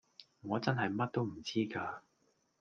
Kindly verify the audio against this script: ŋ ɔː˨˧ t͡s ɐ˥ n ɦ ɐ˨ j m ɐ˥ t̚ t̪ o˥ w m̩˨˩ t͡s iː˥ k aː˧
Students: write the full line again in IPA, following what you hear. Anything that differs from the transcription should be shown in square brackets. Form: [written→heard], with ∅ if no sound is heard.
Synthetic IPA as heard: ŋ ɔː˨˧ t͡s ɐ˥ n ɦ ɐ˨ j m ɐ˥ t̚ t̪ o˥ w m̩˨˩ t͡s iː˥ k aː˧